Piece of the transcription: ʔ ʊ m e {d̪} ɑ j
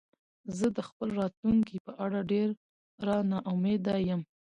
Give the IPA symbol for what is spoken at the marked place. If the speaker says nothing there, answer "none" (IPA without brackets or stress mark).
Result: d̪